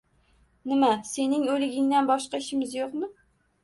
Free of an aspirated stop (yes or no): yes